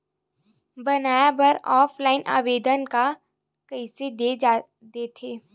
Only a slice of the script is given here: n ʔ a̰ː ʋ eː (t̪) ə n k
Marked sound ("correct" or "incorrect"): incorrect